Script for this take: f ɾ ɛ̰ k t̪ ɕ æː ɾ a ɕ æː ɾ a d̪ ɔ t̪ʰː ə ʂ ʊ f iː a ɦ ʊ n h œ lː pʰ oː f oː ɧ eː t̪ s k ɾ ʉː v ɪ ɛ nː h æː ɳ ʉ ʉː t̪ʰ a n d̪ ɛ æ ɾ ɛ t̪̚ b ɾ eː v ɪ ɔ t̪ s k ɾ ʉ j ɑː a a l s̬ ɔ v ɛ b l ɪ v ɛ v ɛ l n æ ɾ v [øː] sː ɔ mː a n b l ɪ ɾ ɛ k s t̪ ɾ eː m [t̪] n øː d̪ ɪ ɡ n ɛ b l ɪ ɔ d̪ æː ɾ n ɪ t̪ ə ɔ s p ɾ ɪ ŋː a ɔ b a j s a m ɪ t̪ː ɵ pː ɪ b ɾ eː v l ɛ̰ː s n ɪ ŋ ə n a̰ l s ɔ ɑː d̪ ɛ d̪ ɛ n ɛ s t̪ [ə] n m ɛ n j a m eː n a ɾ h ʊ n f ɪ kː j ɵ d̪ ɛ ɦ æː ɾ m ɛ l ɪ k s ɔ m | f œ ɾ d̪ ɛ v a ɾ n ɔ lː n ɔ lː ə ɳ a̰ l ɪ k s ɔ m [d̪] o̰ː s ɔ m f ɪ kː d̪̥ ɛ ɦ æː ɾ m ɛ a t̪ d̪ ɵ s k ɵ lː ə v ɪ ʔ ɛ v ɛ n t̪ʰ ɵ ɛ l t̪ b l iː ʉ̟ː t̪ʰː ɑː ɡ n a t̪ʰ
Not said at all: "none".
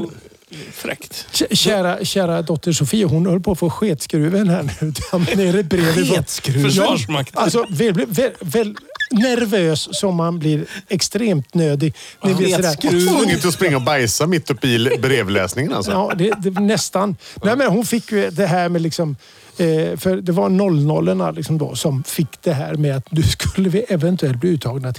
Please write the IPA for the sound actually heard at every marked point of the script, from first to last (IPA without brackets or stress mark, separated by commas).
øː, t̪, a, d̪